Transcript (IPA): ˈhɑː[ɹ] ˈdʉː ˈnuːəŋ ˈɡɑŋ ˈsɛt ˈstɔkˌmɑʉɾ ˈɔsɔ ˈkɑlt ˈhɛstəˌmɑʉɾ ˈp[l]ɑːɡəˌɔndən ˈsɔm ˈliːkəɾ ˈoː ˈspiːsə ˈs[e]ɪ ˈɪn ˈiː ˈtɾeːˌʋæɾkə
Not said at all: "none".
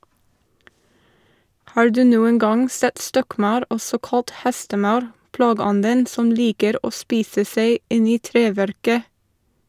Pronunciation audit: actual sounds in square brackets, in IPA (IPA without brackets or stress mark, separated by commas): ɹ, l, e